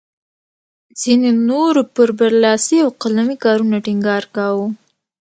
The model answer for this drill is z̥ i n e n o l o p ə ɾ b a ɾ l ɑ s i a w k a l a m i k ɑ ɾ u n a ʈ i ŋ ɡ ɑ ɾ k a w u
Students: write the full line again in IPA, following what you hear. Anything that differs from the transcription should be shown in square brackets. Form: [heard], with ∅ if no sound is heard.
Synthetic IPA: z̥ i n e n o [ɾ] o p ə ɾ b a ɾ l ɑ s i a w [q] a l a m i k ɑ ɾ u n a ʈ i ŋ ɡ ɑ ɾ k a w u

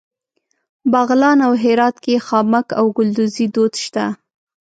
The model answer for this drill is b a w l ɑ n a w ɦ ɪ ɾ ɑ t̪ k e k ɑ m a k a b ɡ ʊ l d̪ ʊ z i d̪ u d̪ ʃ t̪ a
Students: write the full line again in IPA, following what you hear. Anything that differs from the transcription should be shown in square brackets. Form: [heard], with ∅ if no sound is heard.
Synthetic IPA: b a [ɣ] l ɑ n a w ɦ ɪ ɾ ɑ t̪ k e [x] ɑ m a k a [w] ɡ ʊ l d̪ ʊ z i d̪ [o] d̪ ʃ t̪ a

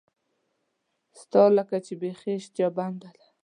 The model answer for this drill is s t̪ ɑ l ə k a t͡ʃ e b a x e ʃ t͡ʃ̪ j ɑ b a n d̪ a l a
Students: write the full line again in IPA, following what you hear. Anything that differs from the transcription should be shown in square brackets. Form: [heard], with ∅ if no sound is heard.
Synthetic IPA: s t̪ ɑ l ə k a t͡ʃ e b [e] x e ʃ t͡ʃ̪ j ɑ b a n d̪ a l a

